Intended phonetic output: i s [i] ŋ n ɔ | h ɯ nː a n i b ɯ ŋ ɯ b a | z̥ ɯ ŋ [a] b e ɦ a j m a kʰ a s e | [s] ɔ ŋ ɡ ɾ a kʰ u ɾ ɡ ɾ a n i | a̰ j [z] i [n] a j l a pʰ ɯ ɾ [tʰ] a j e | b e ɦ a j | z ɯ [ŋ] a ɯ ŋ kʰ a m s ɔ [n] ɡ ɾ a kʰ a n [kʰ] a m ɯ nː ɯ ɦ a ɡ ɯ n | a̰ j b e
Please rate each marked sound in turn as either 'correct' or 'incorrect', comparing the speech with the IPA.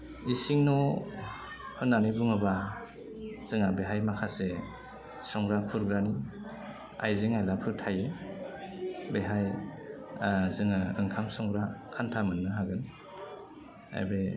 correct, correct, correct, correct, incorrect, correct, correct, incorrect, incorrect

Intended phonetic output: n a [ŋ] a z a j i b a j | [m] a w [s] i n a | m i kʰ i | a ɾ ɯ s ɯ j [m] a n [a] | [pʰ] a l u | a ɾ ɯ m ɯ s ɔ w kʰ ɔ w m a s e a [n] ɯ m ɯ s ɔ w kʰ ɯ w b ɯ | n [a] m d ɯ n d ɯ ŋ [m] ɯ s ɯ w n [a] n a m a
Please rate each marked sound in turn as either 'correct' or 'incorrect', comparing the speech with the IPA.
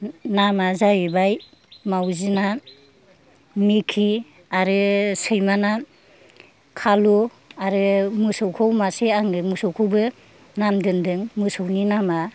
incorrect, correct, incorrect, correct, correct, incorrect, incorrect, correct, correct, incorrect

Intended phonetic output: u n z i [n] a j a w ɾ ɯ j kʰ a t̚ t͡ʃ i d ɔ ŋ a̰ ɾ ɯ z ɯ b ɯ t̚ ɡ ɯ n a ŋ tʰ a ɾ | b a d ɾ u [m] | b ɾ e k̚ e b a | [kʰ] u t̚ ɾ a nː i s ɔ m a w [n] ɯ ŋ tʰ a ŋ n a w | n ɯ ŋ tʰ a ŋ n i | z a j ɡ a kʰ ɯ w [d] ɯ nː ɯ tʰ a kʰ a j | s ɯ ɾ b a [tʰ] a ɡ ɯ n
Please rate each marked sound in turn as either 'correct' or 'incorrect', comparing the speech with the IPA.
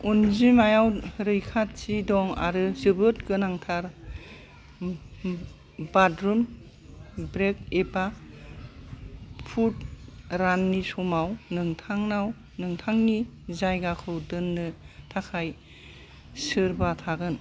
incorrect, correct, incorrect, correct, correct, correct

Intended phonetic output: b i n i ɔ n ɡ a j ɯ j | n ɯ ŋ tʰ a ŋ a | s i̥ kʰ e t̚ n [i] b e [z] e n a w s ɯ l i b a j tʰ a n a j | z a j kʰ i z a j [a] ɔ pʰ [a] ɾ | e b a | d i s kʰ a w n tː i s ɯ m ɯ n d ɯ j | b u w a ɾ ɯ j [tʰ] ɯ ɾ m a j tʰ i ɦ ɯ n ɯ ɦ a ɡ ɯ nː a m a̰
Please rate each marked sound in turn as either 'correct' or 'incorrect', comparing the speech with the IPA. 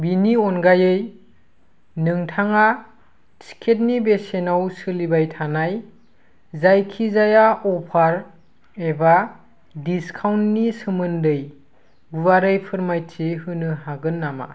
correct, incorrect, correct, correct, incorrect

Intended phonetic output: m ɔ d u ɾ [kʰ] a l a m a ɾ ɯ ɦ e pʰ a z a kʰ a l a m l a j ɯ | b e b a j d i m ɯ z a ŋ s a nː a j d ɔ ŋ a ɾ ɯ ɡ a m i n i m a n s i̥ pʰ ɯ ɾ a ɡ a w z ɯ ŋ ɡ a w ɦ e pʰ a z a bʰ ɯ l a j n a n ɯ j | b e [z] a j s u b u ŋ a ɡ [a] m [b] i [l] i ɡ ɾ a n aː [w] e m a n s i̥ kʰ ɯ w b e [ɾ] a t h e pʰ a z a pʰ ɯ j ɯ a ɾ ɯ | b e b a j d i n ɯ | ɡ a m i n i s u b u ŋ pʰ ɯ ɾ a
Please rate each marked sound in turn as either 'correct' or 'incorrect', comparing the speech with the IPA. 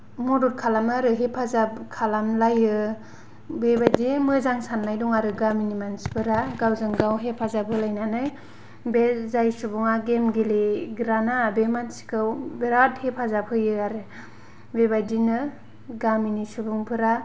correct, correct, incorrect, incorrect, correct, incorrect, correct

